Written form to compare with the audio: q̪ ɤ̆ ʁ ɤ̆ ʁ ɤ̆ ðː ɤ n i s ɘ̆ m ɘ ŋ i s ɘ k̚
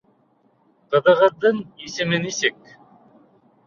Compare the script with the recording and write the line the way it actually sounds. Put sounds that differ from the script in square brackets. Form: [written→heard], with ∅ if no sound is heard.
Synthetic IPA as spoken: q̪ ɤ̆ [ʁ→ð] ɤ̆ ʁ ɤ̆ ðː ɤ [n→ɴ] i s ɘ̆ m ɘ [ŋ→n] i s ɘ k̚